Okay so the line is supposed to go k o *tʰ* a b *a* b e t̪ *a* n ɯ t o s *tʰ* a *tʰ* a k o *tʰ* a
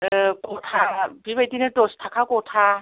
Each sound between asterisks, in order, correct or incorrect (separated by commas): correct, incorrect, incorrect, correct, incorrect, correct